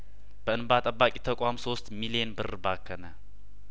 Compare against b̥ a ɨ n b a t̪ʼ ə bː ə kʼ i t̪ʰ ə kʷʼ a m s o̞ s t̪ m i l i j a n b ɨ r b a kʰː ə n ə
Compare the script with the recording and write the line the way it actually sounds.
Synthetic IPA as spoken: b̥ ə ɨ n b a t̪ʼ ə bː a kʼ i t̪ʰ ə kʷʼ a m s o̞ s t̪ m i l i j e n b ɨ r b a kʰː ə n ə